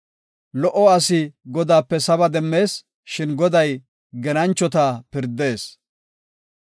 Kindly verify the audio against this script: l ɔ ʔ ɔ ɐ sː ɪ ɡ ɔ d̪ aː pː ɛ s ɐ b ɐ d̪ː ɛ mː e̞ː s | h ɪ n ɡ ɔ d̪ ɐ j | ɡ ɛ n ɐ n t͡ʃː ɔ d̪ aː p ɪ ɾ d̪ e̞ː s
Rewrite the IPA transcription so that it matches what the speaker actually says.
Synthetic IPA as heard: l ɔ ʔ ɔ ɐ s ɪ ɡ ɔ d̪ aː pː ɛ s ɐ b ɐ d̪ ɛ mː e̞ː s | ʃ ɪ n ɡ ɔ d̪ ɐ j | ɡ ɛ n ɐ n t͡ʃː ɔ t̪ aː p ɪ ɾ d̪ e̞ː s